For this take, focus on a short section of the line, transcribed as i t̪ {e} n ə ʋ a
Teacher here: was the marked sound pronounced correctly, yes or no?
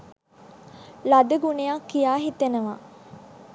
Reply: yes